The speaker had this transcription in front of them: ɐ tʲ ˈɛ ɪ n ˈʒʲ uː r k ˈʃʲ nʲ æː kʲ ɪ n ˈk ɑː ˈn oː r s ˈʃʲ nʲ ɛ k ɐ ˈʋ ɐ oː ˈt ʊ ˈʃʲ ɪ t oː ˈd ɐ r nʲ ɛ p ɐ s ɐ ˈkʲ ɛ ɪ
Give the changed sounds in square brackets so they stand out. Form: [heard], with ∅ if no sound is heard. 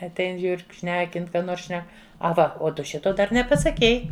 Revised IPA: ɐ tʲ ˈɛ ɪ n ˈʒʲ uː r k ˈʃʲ nʲ æː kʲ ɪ n ˈk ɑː ˈn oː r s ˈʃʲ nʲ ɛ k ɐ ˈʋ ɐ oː ˈt ʊ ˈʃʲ ɪ t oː ˈd ɐ r nʲ ɛ p ɐ s ɐ ˈkʲ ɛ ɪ